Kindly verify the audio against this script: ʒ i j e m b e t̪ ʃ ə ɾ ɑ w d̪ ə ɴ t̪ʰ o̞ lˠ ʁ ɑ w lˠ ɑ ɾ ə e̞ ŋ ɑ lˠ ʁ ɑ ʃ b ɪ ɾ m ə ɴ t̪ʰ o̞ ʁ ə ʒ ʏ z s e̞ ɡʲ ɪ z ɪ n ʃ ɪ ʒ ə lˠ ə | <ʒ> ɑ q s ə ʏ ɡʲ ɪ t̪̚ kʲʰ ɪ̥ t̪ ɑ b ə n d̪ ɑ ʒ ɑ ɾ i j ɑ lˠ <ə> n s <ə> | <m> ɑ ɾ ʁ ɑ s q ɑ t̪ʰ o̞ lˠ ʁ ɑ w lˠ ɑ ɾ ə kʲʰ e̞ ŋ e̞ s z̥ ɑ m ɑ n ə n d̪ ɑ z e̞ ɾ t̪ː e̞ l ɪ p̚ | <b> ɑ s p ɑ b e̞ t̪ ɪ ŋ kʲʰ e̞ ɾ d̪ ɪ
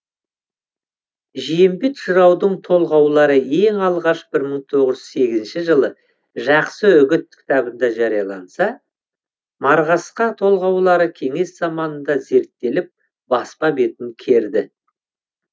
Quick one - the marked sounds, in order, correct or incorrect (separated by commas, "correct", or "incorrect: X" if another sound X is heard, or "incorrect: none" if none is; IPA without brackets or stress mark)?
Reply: correct, incorrect: ɑ, incorrect: ɑ, correct, correct